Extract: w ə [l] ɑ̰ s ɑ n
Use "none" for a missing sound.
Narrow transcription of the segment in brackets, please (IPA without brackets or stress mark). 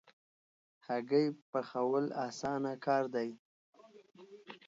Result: l